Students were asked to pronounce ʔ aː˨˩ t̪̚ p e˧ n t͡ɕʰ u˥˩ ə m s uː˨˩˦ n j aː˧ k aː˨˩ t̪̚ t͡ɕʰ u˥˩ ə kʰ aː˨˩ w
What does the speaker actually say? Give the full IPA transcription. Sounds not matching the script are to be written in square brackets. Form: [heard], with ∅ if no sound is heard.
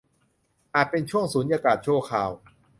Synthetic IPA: ʔ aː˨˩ t̪̚ p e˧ n t͡ɕʰ u˥˩ ə [ŋ] s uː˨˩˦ n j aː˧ k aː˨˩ t̪̚ t͡ɕʰ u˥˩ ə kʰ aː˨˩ w

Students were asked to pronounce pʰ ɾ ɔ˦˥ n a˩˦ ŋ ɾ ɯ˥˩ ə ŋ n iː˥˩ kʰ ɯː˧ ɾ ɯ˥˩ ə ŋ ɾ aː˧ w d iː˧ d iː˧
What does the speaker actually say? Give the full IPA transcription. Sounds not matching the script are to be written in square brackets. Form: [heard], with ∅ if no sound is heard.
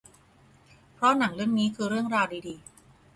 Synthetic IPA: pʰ ɾ ɔ˦˥ n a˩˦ ŋ ɾ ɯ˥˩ ə ŋ n [iː˦˥] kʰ ɯː˧ ɾ ɯ˥˩ ə ŋ ɾ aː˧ w d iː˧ d iː˧

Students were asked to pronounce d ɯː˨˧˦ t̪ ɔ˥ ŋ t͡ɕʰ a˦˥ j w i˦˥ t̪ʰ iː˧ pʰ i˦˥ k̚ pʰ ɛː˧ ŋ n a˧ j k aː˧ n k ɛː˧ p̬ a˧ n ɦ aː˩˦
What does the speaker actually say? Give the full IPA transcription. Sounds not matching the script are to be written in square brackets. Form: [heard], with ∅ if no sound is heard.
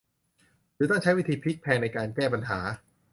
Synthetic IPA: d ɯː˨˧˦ t̪ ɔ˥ ŋ t͡ɕʰ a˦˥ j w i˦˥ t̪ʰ iː˧ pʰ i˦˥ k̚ pʰ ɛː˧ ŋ n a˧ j k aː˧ n k [ɛː˥˩] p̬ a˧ n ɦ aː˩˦

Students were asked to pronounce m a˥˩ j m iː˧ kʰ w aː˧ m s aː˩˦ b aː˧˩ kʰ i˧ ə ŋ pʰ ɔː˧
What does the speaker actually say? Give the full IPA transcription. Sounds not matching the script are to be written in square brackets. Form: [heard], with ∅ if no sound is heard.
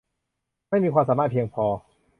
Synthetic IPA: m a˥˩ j m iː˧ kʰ w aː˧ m s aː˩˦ [m] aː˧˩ [pʰ] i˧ ə ŋ pʰ ɔː˧

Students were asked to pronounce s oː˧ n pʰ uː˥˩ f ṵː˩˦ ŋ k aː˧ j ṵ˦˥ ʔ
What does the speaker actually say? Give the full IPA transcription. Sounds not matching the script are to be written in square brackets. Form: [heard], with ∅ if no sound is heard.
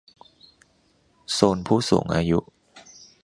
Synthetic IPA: s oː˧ n pʰ uː˥˩ [s] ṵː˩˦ ŋ [ʔ] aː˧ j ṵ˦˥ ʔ

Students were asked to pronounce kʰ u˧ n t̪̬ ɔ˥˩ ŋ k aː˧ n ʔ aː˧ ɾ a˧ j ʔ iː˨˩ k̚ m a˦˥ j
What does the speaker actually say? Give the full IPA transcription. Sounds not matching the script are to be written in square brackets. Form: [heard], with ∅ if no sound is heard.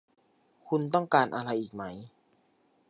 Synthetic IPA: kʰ u˧ n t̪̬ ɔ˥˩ ŋ k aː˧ n ʔ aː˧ ɾ a˧ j ʔ iː˨˩ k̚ m a˦˥ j

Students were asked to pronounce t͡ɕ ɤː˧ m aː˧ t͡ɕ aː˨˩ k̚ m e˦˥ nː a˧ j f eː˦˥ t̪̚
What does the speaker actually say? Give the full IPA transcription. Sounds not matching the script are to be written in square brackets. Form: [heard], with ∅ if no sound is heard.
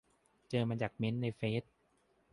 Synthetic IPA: t͡ɕ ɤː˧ m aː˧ t͡ɕ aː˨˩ k̚ m e˦˥ nː a˧ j f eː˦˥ t̪̚

